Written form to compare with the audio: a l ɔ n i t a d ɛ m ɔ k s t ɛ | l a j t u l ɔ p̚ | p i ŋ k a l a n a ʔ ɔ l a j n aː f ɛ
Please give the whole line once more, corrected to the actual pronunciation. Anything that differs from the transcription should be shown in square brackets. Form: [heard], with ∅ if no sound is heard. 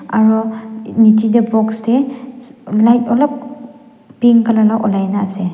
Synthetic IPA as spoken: a [ɹ] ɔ n i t [i] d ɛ [b] ɔ k s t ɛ | l a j t [ɔ] l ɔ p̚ | p i ŋ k a l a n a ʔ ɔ l a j n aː [s] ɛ